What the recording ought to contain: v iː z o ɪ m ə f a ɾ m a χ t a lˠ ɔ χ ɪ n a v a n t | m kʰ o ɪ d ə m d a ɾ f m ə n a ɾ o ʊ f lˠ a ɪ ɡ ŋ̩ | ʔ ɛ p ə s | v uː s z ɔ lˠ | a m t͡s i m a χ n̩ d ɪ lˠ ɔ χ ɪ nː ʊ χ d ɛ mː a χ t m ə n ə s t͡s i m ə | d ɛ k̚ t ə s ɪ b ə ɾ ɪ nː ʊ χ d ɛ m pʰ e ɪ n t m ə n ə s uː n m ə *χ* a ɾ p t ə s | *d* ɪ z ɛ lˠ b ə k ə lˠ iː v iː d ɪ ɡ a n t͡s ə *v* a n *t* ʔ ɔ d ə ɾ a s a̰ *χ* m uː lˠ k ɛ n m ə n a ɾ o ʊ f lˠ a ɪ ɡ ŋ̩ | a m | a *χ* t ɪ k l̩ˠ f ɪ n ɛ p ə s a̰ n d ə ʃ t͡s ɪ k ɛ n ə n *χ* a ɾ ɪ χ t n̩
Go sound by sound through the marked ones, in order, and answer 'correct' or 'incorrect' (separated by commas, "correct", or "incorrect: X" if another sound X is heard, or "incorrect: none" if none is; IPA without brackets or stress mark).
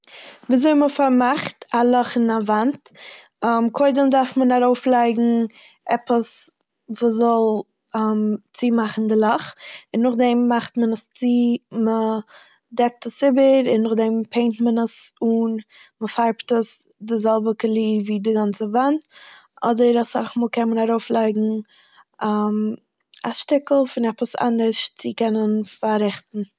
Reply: incorrect: f, correct, correct, correct, correct, incorrect: ʃ, incorrect: f